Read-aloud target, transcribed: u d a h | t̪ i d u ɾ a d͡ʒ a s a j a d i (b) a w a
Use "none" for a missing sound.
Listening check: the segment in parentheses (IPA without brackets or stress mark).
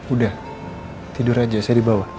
b